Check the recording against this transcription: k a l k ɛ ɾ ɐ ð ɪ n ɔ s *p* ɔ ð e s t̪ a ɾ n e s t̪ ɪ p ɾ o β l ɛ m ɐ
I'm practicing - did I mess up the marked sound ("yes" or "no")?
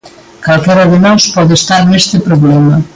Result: no